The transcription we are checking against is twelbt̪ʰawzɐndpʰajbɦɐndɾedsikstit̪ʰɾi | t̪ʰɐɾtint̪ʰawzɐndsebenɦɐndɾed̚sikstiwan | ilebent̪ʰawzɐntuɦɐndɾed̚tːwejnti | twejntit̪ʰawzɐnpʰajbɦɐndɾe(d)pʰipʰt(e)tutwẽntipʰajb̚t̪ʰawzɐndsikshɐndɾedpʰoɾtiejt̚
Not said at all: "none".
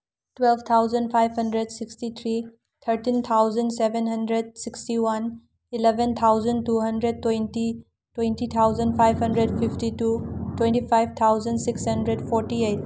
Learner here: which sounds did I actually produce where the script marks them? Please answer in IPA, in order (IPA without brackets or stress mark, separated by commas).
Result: d, i